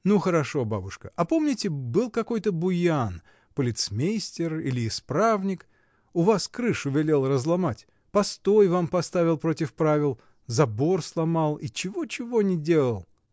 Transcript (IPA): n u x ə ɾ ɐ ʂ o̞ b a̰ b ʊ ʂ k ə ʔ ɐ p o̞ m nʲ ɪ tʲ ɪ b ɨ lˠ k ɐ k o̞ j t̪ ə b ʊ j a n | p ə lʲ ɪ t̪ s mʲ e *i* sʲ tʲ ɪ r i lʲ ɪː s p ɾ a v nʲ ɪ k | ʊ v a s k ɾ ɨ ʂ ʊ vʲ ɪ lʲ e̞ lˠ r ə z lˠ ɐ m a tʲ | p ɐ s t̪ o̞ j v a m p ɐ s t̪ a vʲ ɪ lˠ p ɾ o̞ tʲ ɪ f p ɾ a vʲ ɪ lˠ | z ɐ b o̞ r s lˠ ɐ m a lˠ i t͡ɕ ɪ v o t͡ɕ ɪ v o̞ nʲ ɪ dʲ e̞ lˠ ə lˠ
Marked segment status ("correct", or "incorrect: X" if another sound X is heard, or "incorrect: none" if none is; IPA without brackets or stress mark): incorrect: j